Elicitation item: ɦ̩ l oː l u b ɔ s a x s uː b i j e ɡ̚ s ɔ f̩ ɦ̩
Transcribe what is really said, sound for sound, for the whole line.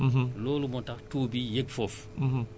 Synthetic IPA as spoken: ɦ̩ l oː l u m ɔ t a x t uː b i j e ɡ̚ f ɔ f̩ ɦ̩